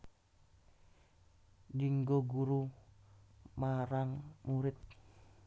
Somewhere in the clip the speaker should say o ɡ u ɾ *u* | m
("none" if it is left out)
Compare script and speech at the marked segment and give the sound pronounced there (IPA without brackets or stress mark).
u